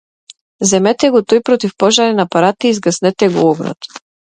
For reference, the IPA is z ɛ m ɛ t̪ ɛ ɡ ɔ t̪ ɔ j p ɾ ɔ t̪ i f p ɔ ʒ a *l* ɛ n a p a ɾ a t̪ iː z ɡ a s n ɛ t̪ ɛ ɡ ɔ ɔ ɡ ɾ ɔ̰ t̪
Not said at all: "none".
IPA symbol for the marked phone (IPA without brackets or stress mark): ɾ